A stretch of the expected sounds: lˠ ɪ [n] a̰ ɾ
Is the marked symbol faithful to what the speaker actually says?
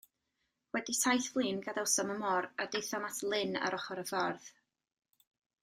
yes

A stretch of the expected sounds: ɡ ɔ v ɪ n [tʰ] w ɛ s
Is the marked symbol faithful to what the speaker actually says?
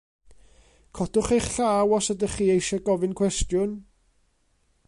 no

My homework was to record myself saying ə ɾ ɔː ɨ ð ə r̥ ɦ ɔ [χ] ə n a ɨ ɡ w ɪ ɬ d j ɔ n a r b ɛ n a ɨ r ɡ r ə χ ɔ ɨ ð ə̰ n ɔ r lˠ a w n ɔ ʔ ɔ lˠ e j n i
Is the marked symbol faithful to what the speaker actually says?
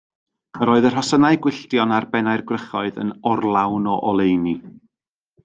no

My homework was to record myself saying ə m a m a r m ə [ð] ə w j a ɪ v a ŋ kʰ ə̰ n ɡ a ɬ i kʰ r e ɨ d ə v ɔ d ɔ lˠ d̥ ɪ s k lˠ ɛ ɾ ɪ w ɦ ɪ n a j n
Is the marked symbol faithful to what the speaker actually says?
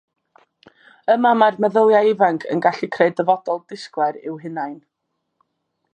yes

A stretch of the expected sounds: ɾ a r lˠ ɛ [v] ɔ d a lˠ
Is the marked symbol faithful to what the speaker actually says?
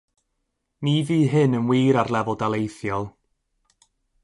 yes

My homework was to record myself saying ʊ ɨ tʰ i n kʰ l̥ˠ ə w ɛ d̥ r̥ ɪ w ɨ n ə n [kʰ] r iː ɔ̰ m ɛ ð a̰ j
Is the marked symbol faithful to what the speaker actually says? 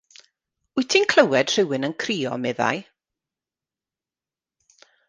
yes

